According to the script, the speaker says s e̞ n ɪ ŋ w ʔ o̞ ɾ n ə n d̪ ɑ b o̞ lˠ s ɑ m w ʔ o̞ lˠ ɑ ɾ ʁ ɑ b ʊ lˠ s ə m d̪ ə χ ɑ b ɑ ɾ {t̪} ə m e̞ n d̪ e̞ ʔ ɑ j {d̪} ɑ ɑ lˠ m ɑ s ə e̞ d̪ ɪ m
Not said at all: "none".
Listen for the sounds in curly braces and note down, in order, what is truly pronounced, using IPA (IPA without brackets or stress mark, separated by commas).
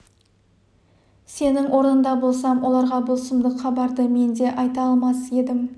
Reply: d̪, t̪